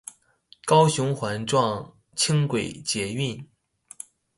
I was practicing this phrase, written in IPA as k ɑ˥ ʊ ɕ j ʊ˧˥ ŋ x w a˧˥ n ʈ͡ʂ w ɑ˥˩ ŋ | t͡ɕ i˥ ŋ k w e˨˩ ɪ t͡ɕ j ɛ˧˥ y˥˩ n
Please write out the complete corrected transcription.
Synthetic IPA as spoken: k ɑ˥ ʊ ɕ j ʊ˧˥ ŋ x w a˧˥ n ʈ͡ʂ w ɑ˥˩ ŋ | t͡ɕʰ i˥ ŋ k w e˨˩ ɪ t͡ɕ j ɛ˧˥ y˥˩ n